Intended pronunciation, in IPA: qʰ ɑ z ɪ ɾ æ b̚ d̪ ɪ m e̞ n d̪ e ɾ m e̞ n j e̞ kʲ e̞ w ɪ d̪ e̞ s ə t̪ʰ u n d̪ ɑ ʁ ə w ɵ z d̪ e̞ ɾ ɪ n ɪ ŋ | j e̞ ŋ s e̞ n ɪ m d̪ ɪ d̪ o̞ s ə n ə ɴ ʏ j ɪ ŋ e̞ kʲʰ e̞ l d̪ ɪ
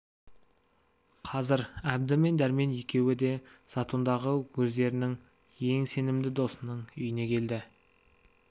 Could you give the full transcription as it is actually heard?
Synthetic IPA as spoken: qʰ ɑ z ɪ ɾ æ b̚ d̪ ɪ m e̞ n d̪ æ ɾ m e̞ n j e̞ kʲ e̞ w ɪ d̪ e̞ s ɑ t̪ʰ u n d̪ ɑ ʁ ə w ɵ z d̪ e̞ ɾ ɪ n ɪ ŋ | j e̞ ŋ s e̞ n ɪ m d̪ ɪ d̪ o̞ s ə n ə ɴ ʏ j ɪ n e̞ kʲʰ e̞ l d̪ ɪ

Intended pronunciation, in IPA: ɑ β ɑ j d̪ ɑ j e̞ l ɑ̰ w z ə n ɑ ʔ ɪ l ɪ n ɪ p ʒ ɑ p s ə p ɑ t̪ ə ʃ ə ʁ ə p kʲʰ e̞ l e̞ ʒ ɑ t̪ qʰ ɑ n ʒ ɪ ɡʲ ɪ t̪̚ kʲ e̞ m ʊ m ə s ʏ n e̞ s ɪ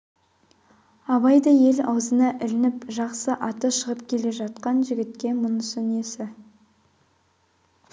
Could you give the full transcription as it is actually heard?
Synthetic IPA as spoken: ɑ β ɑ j d̪ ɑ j e̞ l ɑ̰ w z ə n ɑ ʔ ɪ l ɪ n ɪ p ʒ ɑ q s ə ʔ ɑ t̪ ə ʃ ə ʁ ə p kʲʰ e̞ l e̞ ʒ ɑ t̪ q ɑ n ʒ ɪ ɡʲ ɪ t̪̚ kʲ e̞ m ʊ n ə s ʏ n e̞ s ɪ

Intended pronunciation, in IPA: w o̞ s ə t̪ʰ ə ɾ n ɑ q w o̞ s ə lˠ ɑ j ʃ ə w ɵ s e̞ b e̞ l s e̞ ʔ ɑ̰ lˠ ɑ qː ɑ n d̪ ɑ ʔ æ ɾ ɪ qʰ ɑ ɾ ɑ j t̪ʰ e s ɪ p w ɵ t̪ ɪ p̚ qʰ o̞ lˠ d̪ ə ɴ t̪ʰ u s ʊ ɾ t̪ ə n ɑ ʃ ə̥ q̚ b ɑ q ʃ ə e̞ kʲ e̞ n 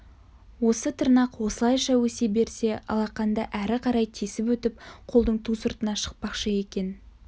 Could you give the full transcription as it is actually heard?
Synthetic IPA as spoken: w o̞ s ə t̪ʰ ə ɾ n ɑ q w o̞ s ə lˠ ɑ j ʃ ɑ w ɵ s e̞ b e̞ ɾ s e̞ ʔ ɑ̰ lˠ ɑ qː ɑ n d̪ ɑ ʔ æ ɾ ɪ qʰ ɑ ɾ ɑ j t̪ʰ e s ɪ p w ɵ t̪ ɪ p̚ qʰ o̞ lˠ d̪ ə ɴ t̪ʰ u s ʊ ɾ t̪ ə n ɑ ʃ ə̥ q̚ p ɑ q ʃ ə e̞ kʲ e̞ n

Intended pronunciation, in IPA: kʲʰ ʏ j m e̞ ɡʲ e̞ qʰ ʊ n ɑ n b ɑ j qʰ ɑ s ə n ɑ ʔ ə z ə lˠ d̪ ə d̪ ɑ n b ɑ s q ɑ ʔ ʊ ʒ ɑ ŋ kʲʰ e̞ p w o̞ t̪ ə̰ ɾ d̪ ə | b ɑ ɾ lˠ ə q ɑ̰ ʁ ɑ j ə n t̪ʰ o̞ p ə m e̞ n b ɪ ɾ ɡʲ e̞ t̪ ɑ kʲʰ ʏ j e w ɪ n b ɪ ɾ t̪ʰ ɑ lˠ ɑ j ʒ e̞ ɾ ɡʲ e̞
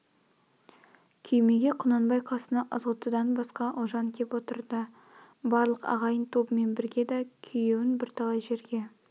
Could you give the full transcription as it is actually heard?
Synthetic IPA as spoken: kʲʰ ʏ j m e̞ ɡʲ e̞ qʰ ʊ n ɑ n b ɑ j qʰ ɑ s ə n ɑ ʔ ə z ə lˠ t̪ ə d̪ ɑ n b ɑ s q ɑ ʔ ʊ ʒ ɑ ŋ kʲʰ e̞ p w o̞ t̪ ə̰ ɾ d̪ ə | b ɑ ɾ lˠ ə q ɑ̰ ʁ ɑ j ə n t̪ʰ o̞ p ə m e̞ n b ɪ ɾ ɡʲ e̞ d̪ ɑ kʲʰ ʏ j e w ɪ n b ɪ ɾ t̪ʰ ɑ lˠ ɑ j ʒ e̞ ɾ ɡʲ e̞

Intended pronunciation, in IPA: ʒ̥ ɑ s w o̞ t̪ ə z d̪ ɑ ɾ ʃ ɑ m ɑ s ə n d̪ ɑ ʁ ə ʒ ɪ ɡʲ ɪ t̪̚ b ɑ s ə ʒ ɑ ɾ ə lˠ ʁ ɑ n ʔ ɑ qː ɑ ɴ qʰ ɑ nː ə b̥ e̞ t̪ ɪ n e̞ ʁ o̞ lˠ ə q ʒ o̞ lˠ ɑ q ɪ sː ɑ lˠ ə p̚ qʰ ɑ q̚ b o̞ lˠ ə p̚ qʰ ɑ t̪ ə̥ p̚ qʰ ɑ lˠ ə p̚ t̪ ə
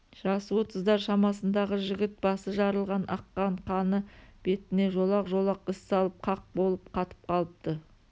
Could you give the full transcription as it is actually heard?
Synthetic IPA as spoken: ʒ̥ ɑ s w o̞ t̪ ə z d̪ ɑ ɾ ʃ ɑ m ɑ s ə n d̪ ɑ ʁ ə ʒ ɪ ɡʲ ɪ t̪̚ b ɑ s ə ʒ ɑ ɾ ə lˠ ʁ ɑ n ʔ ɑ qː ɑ ɴ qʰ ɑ n ə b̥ e̞ t̪ ɪ n e̞ ʒ o̞ lˠ ɑ q ʒ o̞ lˠ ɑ q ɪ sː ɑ lˠ ə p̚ qʰ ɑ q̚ b o̞ lˠ ə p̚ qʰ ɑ t̪ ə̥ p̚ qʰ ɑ lˠ ə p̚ t̪ ə

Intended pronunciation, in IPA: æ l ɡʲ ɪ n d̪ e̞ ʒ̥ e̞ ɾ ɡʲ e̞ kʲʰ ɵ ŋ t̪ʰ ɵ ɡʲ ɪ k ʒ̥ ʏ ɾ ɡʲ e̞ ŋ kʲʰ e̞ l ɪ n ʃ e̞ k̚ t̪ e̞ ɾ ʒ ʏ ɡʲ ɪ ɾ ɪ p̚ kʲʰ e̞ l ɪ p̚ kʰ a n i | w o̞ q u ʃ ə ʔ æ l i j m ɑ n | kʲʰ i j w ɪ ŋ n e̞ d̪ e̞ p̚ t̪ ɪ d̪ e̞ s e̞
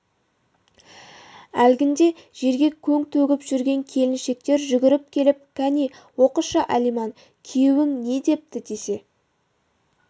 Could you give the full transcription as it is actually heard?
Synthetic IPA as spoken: æ l ɡʲ ɪ n d̪ e̞ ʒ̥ e̞ ɾ ɡʲ e̞ kʲʰ ɵ ŋ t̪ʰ ɵ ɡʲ ɪ p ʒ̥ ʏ ɾ ɡʲ e̞ ŋ kʲʰ e̞ l ɪ n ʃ e̞ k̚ t̪ e̞ ɾ ʒ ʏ ɡʲ ɪ ɾ ɪ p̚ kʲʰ e̞ l ɪ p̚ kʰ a n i | w o̞ q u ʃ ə ʔ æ l i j m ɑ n | kʲʰ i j w ɪ ŋ n e̞ d̪ e̞ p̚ t̪ ɪ d̪ e̞ s e̞

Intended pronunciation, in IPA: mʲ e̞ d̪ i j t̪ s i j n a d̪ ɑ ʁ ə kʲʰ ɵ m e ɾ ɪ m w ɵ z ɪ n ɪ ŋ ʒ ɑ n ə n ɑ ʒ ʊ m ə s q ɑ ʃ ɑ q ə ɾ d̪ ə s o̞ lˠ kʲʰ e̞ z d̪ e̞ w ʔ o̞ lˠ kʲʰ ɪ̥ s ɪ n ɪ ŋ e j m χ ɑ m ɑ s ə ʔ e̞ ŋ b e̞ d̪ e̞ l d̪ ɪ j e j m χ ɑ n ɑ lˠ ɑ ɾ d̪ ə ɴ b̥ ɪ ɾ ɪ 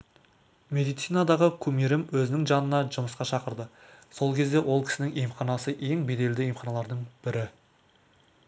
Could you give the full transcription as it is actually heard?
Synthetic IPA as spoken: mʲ e̞ d̪ i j t̪ s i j n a d̪ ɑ ʁ ə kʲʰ ɵ m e ɾ ɪ m w ɵ z ɪ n ɪ ŋ ʒ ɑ n ə n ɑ ʒ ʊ m ə s q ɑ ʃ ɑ q ə ɾ d̪ ə s o̞ lˠ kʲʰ e̞ z d̪ e̞ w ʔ o̞ lˠ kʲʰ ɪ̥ s ɪ n ɪ ŋ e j m χ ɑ n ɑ s ə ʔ e̞ ŋ b e̞ d̪ e̞ l d̪ ɪ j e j m χ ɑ n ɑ lˠ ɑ ɾ d̪ ə ɴ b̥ ɪ ɾ ɪ

